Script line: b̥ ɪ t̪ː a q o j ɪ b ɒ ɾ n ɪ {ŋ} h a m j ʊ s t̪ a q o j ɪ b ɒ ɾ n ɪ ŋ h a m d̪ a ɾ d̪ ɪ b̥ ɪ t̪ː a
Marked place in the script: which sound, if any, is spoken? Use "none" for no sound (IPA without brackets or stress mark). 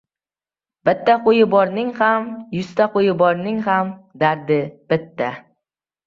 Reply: ŋ